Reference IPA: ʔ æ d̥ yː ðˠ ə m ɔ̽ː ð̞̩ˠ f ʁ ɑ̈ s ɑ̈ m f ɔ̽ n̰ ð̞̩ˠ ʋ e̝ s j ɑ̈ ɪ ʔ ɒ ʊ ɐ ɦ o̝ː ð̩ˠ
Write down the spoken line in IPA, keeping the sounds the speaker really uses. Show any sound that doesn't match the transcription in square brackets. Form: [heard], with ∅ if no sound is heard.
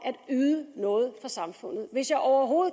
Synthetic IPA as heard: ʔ æ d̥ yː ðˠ ə [n] ɔ̽ː ð̞̩ˠ f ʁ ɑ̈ s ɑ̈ m f ɔ̽ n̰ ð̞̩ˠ ʋ e̝ s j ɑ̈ ɪ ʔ ɒ ʊ ɐ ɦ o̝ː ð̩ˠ